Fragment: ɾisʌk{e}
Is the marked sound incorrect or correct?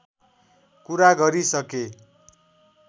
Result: correct